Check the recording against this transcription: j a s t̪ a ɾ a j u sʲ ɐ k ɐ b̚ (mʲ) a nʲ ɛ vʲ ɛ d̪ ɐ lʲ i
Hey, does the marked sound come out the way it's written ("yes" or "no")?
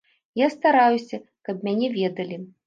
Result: yes